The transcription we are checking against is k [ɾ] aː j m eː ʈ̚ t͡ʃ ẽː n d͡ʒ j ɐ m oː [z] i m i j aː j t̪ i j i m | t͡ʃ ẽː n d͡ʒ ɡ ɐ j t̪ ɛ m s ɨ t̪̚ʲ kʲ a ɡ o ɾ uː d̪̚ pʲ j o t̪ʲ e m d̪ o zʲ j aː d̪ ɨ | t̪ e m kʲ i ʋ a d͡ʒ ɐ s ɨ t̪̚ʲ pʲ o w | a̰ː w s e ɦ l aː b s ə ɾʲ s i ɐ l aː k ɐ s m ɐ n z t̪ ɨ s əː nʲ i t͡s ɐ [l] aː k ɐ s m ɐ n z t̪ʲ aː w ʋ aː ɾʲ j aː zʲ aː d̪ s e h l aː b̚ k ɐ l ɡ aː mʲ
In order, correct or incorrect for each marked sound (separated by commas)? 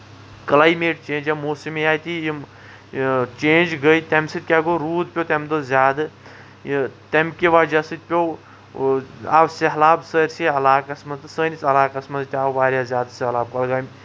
incorrect, incorrect, correct